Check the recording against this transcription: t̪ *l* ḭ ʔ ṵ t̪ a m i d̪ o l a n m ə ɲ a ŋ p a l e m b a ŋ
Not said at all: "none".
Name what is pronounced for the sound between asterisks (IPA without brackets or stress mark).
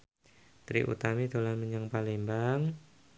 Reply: ɾ